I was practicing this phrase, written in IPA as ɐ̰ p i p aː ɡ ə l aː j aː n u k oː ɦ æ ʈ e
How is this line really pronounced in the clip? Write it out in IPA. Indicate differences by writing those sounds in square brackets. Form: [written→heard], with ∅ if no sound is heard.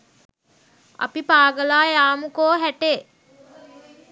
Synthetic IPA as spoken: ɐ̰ p i p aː ɡ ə l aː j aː [n→m] u k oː ɦ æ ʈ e